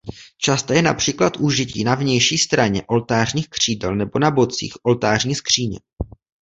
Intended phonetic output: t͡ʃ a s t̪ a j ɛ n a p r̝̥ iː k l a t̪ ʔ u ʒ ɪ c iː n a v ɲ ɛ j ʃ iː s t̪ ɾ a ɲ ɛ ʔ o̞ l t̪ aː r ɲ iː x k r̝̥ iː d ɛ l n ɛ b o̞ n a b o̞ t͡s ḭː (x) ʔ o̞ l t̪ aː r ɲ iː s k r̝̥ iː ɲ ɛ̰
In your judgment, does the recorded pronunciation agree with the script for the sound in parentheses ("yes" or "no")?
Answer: yes